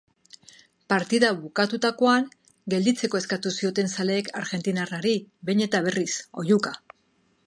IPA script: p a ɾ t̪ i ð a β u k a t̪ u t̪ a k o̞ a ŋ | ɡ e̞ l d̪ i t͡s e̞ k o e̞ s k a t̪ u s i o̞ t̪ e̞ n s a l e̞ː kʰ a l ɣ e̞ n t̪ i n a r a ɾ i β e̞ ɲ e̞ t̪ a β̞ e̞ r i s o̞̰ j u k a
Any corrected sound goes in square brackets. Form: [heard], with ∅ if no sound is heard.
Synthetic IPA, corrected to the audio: p a ɾ t̪ i ð a β u k a t̪ u t̪ a k o̞ a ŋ | ɡ e̞ l d̪ i t͡s e̞ k o e̞ s k a t̪ u s i o̞ t̪ e̞ n s a l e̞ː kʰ a [ɾ] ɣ e̞ n t̪ i n a r a ɾ i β e̞ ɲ e̞ t̪ a β̞ e̞ r i s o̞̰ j u k a